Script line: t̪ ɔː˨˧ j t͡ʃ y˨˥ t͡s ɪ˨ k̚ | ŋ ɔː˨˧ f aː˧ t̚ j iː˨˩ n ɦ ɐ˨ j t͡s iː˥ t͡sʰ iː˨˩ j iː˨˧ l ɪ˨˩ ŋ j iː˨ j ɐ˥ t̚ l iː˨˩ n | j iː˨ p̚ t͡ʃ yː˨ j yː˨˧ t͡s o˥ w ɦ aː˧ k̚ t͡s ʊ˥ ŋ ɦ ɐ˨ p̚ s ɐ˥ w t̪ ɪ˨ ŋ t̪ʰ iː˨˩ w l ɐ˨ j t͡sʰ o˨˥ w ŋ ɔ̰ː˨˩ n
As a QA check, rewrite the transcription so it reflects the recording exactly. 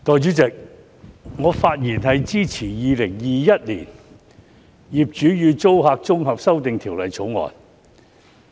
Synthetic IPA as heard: t̪ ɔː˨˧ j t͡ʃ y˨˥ t͡s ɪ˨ k̚ | ŋ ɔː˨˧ f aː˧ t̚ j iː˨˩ n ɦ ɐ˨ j t͡s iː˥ t͡sʰ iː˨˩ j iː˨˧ l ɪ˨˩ ŋ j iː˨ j ɐ˥ t̚ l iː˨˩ n | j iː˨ p̚ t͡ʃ yː˨˥ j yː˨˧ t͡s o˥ w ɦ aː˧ k̚ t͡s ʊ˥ ŋ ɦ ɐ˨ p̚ s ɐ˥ w t̪ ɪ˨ ŋ t̪ʰ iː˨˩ w l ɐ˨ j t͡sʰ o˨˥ w ŋ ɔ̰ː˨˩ n